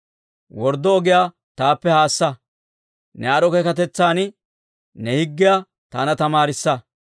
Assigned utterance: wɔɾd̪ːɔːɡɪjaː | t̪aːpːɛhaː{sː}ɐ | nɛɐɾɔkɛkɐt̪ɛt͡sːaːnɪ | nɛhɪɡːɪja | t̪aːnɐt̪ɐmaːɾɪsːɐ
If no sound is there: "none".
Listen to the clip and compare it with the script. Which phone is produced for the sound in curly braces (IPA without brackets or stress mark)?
sː